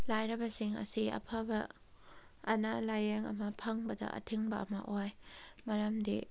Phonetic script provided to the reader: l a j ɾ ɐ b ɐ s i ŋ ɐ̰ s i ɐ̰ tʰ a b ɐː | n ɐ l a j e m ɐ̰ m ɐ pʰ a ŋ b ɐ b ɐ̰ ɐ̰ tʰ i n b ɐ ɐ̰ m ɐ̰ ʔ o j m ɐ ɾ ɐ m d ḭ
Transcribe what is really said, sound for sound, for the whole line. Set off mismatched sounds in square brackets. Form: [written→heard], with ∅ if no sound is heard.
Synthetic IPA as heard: l a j ɾ ɐ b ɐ s i ŋ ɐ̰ s i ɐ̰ [tʰ→pʰ] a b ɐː | n [ɐ→a] l a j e [m→ŋ] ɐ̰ m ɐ pʰ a ŋ b ɐ [b→d] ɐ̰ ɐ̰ tʰ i [n→ŋ] b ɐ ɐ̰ m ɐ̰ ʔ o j m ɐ ɾ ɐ m d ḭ